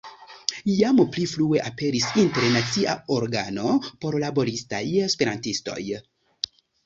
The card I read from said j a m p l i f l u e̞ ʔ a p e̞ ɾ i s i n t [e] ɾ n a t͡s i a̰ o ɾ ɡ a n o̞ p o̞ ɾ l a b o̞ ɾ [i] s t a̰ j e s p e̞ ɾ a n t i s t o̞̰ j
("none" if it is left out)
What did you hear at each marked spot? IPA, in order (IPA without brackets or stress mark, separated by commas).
e, i